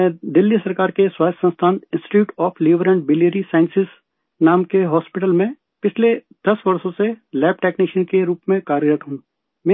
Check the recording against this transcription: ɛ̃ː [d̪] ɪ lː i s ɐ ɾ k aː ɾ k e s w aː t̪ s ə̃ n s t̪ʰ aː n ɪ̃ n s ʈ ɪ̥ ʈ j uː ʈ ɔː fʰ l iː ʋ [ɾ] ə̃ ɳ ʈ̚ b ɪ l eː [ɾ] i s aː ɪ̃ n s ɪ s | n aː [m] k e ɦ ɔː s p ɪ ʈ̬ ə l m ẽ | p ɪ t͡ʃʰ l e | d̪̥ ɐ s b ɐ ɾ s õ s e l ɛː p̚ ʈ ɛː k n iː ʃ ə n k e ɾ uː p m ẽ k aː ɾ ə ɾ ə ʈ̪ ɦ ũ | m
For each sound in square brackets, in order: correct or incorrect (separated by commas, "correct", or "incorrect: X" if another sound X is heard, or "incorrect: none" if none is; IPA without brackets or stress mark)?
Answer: correct, correct, correct, correct